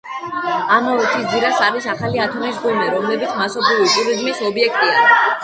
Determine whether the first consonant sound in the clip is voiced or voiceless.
voiced